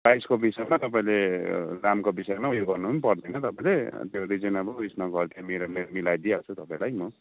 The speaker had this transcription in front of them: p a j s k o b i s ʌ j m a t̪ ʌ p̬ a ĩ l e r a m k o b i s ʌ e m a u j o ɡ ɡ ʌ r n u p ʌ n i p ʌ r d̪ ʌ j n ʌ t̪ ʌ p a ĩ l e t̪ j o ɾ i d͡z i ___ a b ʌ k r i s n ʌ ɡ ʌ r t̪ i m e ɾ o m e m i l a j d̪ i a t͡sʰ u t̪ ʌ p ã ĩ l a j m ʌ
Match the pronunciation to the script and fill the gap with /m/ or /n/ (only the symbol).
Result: n